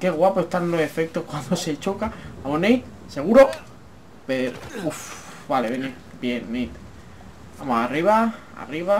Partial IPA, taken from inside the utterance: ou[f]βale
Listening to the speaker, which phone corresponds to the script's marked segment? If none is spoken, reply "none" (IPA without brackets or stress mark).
f